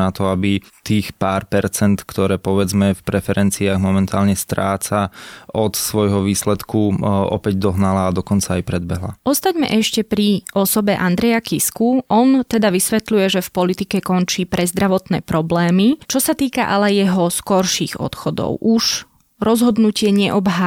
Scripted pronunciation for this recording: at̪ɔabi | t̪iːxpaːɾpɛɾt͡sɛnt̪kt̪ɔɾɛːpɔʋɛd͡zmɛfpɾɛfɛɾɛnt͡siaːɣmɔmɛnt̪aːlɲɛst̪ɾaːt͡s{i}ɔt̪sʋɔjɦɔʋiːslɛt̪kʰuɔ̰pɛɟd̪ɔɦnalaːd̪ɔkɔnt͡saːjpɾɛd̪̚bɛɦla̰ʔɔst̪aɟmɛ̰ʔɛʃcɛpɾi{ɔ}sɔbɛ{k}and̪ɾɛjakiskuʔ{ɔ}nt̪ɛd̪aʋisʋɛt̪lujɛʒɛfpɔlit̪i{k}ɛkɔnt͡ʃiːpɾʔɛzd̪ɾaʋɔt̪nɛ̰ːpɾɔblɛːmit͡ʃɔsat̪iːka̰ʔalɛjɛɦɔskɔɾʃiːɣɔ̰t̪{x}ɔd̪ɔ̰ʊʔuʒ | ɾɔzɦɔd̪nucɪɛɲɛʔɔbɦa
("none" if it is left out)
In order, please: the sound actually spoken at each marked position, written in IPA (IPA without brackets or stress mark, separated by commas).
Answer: a, ɔ, ʔ, ɔ, k, x